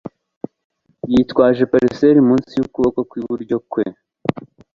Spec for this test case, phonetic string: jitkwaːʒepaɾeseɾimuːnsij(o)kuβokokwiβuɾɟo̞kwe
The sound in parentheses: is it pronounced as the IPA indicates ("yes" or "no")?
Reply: no